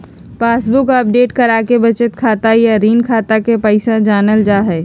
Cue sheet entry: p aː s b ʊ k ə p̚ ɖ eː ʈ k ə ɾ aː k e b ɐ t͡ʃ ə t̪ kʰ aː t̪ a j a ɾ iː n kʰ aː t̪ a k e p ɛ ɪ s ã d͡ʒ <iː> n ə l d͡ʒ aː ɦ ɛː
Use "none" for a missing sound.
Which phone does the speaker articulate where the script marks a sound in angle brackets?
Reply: aː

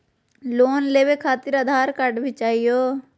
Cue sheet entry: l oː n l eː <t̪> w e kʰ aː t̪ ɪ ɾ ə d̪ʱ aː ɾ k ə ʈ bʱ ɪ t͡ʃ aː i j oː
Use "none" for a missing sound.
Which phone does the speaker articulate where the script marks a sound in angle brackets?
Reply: none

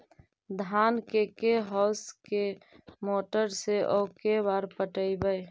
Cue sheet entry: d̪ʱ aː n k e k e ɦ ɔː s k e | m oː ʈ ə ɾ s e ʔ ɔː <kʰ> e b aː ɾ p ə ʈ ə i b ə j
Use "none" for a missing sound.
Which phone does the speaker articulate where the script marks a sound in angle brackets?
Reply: k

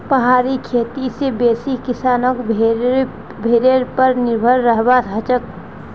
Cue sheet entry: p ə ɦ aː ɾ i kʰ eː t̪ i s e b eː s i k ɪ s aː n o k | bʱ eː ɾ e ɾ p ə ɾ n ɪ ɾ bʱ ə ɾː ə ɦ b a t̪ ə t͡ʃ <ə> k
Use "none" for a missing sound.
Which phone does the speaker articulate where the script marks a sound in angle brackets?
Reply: ə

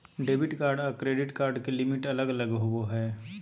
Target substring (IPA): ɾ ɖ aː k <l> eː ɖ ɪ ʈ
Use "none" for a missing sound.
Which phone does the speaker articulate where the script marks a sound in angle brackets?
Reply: ɾ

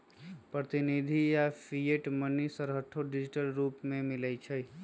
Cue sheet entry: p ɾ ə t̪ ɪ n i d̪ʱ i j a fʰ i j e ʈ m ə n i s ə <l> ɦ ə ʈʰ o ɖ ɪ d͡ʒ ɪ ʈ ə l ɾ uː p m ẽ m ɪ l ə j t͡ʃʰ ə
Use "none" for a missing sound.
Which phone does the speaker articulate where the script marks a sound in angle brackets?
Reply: ɾ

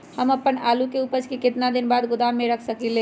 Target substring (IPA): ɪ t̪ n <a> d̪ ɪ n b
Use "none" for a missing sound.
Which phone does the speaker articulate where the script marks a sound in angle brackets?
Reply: a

